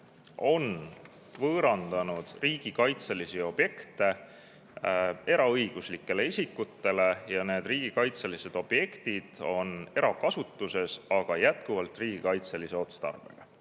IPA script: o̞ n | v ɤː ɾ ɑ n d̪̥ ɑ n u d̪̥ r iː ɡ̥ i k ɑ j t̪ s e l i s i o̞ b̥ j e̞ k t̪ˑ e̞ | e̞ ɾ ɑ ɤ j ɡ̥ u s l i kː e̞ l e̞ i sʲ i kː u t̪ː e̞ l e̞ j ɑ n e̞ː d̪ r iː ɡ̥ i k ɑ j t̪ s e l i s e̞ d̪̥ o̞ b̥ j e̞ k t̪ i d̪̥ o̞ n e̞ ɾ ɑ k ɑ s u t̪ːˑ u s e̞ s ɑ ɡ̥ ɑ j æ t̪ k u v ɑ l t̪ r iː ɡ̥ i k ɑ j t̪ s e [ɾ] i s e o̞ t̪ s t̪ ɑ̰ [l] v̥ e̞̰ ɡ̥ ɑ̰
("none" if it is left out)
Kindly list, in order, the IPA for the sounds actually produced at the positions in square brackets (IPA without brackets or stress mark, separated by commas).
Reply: l, r